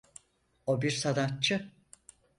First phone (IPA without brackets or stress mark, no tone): o